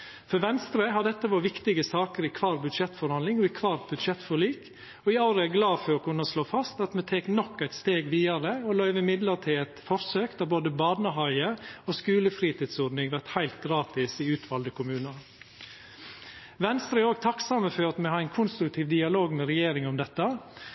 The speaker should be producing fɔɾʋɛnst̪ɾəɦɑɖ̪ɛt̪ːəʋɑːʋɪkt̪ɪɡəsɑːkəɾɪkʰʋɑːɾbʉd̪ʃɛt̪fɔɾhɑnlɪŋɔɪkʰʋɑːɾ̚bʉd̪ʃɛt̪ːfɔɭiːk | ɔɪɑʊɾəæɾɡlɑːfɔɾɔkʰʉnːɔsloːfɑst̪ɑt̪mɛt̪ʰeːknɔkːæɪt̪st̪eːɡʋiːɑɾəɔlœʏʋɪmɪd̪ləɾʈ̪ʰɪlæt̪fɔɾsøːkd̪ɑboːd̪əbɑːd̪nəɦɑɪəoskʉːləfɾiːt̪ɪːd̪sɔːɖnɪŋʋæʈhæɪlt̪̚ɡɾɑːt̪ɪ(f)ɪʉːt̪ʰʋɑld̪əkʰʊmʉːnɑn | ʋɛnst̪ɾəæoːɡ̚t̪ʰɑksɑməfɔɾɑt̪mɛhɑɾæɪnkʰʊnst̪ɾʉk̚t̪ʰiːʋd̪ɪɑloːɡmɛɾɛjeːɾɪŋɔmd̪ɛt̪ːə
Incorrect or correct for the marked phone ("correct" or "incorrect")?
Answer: incorrect